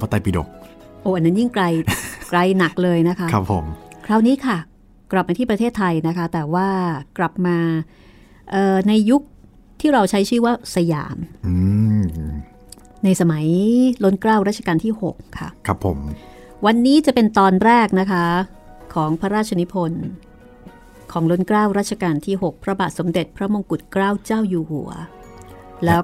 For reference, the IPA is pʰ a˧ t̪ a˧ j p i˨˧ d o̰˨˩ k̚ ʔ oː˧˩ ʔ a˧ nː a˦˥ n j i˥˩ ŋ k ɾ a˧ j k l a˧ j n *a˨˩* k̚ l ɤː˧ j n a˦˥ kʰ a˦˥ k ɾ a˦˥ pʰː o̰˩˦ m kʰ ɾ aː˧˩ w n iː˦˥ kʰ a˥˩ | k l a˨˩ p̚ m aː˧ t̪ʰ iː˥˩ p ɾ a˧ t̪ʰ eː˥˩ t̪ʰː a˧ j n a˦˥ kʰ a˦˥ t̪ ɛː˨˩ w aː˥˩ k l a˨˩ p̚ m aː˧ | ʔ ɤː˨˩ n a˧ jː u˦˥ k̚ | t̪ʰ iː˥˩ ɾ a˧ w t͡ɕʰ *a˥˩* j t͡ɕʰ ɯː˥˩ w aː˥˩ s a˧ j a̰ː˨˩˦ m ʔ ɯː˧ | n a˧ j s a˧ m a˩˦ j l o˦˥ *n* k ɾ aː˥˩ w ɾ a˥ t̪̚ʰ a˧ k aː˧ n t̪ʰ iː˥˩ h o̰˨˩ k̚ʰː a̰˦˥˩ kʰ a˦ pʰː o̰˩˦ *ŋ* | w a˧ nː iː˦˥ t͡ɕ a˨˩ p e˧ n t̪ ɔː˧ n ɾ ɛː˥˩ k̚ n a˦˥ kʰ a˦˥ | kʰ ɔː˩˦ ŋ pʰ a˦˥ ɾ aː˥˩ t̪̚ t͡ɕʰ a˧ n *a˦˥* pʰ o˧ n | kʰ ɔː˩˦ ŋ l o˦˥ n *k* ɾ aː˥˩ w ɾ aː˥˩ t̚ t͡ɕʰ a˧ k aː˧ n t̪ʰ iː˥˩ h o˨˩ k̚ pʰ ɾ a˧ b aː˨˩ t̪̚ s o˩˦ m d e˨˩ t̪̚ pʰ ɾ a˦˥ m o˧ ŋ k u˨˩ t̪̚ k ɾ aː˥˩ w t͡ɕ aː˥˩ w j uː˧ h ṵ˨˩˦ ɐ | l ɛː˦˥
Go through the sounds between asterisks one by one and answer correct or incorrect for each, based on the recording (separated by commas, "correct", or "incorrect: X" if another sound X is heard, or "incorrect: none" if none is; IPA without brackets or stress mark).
correct, incorrect: a˦˥, correct, incorrect: m, incorrect: i˦˥, correct